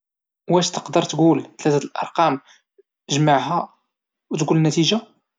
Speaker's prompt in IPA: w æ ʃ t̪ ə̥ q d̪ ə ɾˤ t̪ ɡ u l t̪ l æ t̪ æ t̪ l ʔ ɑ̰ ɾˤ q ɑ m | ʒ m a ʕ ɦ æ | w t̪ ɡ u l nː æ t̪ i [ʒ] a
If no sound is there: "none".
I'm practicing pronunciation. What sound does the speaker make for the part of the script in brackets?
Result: ʒ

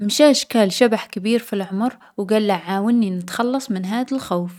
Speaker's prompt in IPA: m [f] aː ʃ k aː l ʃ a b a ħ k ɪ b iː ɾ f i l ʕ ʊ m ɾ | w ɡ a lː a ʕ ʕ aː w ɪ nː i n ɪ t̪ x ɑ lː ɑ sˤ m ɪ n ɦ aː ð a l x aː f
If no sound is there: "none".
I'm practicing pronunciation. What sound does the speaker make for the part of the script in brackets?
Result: ʃ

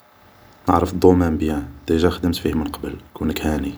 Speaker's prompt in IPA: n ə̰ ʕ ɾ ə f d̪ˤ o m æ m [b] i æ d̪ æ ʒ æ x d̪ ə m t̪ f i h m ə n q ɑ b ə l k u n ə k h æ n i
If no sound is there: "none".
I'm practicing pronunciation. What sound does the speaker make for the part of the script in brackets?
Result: b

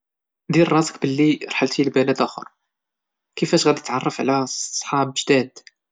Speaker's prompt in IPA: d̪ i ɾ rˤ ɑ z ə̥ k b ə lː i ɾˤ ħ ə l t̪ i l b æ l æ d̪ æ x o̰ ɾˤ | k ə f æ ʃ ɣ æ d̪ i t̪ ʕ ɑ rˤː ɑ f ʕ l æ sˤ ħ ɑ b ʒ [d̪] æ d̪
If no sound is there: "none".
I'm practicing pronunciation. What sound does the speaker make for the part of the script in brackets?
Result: d̪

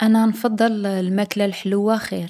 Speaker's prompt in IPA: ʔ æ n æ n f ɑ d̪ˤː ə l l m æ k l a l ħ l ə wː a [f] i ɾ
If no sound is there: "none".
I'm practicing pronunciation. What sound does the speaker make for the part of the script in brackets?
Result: x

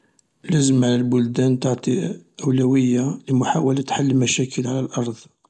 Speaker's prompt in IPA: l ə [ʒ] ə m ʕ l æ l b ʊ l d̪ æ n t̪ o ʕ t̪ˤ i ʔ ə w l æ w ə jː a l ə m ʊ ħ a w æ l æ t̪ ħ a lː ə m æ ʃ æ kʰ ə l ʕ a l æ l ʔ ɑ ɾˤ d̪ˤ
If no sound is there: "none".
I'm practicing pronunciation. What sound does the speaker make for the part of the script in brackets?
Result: z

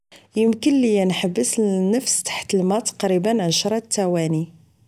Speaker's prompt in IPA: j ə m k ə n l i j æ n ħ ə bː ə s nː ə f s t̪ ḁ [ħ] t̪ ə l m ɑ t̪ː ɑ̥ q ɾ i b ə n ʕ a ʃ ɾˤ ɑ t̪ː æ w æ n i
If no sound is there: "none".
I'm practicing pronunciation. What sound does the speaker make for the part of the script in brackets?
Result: ħ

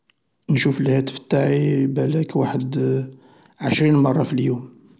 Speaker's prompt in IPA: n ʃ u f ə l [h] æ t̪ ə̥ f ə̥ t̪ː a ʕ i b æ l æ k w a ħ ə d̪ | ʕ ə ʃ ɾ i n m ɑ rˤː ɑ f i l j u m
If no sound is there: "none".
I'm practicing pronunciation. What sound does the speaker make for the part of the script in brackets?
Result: h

